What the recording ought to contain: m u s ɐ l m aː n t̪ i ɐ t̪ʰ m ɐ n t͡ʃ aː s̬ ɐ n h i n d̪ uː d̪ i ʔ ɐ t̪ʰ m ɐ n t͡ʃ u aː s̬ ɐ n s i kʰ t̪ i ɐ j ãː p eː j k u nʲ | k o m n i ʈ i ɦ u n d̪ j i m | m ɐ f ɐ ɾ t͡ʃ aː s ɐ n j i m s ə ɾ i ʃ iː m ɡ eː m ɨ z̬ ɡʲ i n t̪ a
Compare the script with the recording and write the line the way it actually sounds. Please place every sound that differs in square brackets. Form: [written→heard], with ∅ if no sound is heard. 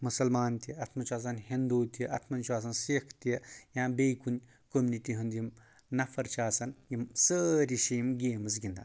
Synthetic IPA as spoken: m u s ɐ l m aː n t̪ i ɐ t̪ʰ m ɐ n t͡ʃ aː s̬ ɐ n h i n d̪ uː [d̪→t̪] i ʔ ɐ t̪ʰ m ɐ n t͡ʃ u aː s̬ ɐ n s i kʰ t̪ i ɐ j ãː [p→b] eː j k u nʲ | k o m n i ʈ i ɦ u n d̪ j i m | [m→n] ɐ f ɐ ɾ t͡ʃ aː s ɐ n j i m s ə ɾ i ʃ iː m ɡ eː m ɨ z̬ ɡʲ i n [t̪→d̪] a